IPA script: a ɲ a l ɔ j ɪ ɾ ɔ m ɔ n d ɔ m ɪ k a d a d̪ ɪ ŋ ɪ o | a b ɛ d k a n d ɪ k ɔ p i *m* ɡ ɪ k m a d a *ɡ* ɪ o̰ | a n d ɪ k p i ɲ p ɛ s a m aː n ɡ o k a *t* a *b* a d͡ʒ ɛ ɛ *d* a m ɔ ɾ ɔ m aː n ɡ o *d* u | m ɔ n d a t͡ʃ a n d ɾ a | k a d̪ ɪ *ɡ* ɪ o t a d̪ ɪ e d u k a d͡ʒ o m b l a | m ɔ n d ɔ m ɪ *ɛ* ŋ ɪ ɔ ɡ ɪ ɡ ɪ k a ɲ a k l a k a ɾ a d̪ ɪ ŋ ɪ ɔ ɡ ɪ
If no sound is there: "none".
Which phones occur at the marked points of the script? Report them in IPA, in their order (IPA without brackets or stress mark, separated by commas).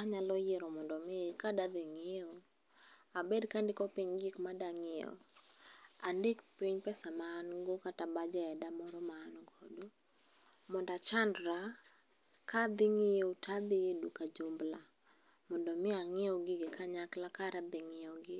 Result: ɲ, ŋ, t, b, d, d, ŋ, a